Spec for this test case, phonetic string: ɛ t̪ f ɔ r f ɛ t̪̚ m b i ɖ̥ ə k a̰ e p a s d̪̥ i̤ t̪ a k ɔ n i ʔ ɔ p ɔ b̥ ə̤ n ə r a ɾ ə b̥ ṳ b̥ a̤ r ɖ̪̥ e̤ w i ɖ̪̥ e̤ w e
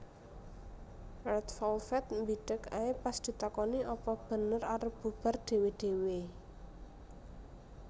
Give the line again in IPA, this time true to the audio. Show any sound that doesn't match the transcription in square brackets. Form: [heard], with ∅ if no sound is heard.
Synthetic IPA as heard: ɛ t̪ f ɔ [l] f ɛ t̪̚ m b i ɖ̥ ə k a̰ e p a s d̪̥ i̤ t̪ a k ɔ n i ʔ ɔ p ɔ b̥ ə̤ n ə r a ɾ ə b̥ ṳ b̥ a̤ r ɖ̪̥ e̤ w [e] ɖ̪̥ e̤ w e